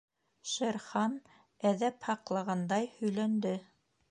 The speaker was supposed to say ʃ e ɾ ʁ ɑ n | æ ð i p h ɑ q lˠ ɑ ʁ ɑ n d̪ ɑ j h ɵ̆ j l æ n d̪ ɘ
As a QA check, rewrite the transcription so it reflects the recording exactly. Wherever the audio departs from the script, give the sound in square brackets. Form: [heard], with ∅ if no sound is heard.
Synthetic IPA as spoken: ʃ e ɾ [χ] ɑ n | æ ð [æ] p h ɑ q lˠ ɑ ʁ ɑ n d̪ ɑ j h ɵ̆ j l æ n d̪ ɘ

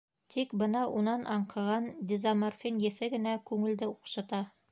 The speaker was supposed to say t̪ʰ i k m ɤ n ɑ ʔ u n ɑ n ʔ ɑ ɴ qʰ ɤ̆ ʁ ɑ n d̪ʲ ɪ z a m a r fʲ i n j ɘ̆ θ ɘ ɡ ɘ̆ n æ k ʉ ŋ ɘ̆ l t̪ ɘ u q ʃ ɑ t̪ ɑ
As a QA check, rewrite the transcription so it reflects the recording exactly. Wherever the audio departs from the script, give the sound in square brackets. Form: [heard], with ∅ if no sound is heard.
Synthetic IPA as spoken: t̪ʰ i k [b] ɤ n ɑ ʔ u n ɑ n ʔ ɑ ɴ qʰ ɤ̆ ʁ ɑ n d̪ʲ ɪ z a m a r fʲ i n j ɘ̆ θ ɘ ɡ ɘ̆ n æ k ʉ ŋ ɘ̆ l [d̪] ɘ u q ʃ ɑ t̪ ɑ

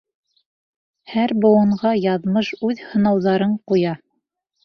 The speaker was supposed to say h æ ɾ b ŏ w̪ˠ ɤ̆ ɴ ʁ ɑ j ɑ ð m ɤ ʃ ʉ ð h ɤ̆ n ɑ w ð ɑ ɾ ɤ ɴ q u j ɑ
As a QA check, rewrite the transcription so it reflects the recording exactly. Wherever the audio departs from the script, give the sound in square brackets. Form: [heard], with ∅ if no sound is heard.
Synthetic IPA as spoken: h æ ɾ b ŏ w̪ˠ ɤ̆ ɴ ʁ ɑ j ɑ ð m ɤ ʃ ʉ ð h ɤ̆ n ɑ w ð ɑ ɾ ɤ ɴ q u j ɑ

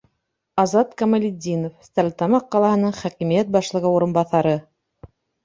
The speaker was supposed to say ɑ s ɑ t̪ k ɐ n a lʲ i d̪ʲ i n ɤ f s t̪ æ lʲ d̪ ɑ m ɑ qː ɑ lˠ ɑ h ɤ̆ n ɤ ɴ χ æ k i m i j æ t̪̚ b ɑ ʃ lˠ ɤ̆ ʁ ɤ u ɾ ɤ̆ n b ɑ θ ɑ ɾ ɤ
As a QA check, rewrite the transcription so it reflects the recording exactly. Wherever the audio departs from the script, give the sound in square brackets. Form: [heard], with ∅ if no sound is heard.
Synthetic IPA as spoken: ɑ [z] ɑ t̪ k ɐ [m] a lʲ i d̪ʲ i n [o] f s t̪ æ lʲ [t̪] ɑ m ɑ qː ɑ lˠ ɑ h ɤ̆ n ɤ ɴ χ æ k i m i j æ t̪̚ b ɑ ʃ lˠ ɤ̆ ʁ ɤ u ɾ ɤ̆ n b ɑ θ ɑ ɾ ɤ

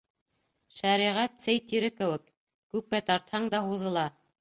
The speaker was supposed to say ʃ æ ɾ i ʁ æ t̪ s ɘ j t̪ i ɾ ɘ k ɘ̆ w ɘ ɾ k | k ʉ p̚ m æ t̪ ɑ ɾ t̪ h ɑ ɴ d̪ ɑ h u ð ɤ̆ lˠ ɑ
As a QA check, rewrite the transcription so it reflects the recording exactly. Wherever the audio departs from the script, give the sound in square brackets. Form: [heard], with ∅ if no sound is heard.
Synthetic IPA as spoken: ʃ æ ɾ i ʁ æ t̪ s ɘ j t̪ i ɾ ɘ k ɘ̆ w ɘ [∅] k | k ʉ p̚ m æ t̪ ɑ ɾ t̪ h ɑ ɴ d̪ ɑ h u ð ɤ̆ lˠ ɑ

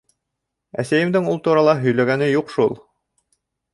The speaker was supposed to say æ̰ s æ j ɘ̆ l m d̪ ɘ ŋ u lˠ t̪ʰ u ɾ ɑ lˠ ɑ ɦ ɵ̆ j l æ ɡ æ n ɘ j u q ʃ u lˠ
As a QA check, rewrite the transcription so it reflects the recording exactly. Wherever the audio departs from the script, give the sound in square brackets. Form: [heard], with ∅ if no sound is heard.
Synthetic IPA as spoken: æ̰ s æ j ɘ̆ [∅] m d̪ ɘ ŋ u lˠ [t̪] u ɾ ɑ lˠ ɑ ɦ ɵ̆ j l æ ɡ æ n ɘ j u q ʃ u lˠ

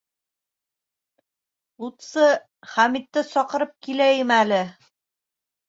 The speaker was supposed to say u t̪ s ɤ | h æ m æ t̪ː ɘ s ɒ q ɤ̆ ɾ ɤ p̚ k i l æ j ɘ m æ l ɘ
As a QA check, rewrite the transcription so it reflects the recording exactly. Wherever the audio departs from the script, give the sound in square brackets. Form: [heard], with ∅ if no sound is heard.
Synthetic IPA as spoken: u t̪ s ɤ | [χ] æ m [i] t̪ː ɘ s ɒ q ɤ̆ ɾ ɤ p̚ k i l æ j ɘ m æ l ɘ

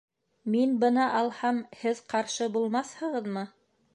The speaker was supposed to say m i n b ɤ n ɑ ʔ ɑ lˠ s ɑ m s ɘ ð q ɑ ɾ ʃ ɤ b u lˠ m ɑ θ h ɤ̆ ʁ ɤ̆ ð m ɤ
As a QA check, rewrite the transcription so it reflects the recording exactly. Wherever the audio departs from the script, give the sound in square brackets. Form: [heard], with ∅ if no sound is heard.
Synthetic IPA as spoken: m i n b ɤ n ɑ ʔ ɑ lˠ [h] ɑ m [h] ɘ ð q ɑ ɾ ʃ ɤ b u lˠ m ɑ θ h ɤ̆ ʁ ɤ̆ ð m ɤ

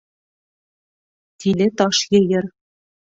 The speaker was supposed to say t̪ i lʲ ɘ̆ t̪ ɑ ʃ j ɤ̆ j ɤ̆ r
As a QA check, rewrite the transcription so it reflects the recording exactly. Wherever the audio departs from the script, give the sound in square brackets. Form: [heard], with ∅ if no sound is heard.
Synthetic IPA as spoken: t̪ i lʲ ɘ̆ t̪ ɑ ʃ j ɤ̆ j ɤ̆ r

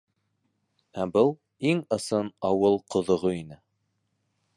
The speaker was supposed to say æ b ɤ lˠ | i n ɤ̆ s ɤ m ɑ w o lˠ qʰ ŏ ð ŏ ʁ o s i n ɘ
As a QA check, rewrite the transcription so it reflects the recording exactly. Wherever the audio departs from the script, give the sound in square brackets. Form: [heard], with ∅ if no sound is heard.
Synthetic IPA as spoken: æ b ɤ lˠ | i [ŋ] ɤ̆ s ɤ [n] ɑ w [ɤ] lˠ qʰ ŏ ð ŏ ʁ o [∅] i n ɘ

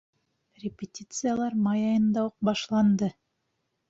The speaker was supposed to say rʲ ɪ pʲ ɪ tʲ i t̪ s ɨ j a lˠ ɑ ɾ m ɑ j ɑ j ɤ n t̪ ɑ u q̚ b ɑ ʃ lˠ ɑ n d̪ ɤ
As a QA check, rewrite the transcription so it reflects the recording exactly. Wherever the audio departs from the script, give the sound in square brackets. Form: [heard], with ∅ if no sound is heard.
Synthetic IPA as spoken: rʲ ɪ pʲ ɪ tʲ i t̪ s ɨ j a lˠ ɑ ɾ m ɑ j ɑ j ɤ n [d̪] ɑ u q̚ b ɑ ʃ lˠ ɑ n d̪ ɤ

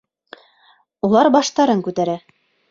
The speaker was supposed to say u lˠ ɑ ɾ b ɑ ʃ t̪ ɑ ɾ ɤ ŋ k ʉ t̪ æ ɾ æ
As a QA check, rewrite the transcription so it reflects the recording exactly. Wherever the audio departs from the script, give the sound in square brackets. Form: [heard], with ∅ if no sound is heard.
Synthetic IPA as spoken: u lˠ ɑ ɾ b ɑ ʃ t̪ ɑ ɾ ɤ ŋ k ʉ t̪ æ ɾ æ

